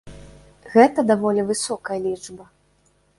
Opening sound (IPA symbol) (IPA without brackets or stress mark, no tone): ɣ